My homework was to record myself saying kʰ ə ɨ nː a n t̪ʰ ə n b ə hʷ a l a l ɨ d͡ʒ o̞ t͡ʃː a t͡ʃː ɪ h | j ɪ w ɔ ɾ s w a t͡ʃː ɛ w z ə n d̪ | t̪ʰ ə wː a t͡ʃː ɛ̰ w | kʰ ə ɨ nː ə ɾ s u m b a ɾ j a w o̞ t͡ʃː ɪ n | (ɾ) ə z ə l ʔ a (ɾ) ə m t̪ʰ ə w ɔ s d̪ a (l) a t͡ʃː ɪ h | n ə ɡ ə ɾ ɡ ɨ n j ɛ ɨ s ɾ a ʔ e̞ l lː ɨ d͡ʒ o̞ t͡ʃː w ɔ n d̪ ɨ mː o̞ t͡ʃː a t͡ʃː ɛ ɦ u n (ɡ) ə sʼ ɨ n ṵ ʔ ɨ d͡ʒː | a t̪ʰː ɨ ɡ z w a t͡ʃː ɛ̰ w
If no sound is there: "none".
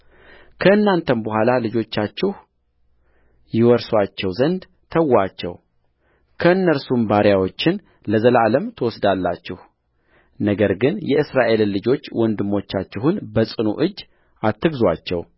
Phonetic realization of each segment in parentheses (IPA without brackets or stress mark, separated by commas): l, l, lː, b